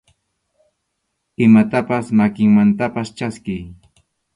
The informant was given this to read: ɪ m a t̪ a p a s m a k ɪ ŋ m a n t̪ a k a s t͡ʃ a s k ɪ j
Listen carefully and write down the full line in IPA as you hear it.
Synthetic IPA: ɪ m a t̪ a p a s m a k ɪ ŋ m a n t̪ a p a s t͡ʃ a s k ɪ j